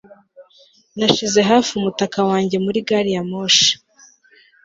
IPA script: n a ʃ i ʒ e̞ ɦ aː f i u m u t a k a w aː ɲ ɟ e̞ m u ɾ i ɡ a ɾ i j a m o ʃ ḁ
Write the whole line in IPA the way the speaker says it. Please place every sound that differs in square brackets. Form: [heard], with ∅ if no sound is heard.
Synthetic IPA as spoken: n a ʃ i [z] e̞ ɦ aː f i u m u t a k a w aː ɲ ɟ e̞ m u ɾ i ɡ a ɾ i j a m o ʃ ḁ